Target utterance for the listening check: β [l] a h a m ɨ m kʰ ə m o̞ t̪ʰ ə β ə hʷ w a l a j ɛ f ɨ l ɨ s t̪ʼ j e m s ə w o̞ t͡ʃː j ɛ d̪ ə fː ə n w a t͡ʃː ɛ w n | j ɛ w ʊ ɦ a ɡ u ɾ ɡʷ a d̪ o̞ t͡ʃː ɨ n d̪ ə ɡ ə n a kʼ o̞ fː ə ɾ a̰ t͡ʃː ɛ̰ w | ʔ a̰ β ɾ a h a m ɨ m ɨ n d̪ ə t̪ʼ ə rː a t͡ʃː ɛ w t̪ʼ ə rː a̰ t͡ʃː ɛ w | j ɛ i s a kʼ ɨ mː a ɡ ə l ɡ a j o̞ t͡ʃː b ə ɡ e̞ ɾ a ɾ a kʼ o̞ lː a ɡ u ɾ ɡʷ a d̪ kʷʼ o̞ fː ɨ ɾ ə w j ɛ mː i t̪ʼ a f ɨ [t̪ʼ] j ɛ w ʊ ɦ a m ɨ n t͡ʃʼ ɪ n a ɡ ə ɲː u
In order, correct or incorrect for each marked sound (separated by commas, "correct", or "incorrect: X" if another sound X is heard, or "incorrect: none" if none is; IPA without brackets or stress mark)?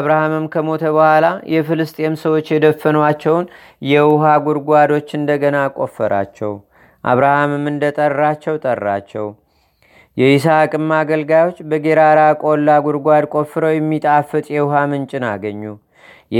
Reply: incorrect: ɾ, correct